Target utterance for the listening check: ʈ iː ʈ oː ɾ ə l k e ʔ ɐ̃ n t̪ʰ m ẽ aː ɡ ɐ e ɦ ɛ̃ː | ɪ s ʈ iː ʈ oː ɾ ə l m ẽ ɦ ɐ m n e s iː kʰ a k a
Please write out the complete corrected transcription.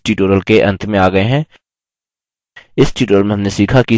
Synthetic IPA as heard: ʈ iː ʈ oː ɾ ə l k e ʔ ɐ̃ n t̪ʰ m ẽ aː ɡ ɐ e ɦ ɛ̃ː | ɪ s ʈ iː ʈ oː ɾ ə l m ẽ ɦ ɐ m n e s iː kʰ a k i